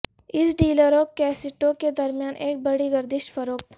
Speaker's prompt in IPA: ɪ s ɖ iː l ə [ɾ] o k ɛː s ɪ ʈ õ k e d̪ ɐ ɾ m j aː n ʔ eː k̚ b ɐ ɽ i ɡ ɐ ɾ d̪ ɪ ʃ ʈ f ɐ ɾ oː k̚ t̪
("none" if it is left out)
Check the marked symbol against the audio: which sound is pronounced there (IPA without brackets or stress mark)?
ɾ